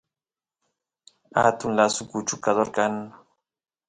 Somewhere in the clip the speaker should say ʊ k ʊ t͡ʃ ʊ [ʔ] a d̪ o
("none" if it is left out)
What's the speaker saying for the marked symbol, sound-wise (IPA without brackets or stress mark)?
k